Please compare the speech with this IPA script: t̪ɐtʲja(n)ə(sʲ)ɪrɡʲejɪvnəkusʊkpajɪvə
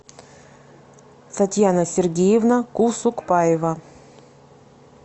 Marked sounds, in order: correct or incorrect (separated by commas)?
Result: correct, correct